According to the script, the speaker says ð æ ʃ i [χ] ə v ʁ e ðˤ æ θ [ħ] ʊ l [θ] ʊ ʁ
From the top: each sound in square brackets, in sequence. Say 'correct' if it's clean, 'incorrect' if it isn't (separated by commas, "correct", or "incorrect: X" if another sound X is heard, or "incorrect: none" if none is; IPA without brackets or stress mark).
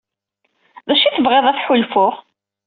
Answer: incorrect: θ, correct, incorrect: f